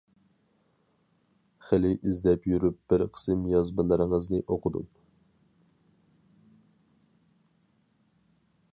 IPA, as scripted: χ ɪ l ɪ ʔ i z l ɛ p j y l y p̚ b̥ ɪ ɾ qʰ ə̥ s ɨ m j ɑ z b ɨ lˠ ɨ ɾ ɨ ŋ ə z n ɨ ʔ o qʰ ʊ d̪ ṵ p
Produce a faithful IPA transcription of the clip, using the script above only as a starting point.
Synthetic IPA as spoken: χ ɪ l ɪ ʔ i z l ɛ p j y ɾ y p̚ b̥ ɪ ɾ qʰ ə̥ s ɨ m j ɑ z b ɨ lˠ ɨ ɾ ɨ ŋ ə z n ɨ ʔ o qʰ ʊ d̪ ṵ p